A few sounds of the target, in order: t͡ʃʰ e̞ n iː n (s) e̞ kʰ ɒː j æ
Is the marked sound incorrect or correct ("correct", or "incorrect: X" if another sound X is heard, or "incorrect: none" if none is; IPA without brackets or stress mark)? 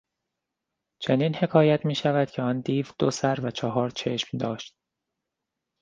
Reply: incorrect: h